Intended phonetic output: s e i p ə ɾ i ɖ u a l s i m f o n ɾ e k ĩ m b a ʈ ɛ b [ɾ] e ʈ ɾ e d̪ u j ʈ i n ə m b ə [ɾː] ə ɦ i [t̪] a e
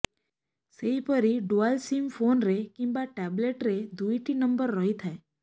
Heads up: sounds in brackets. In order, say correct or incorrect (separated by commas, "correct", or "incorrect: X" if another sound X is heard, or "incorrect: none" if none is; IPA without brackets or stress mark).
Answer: incorrect: l, correct, incorrect: t̪ʰ